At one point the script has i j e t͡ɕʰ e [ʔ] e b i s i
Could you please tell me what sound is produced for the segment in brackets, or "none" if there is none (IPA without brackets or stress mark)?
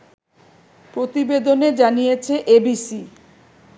ʔ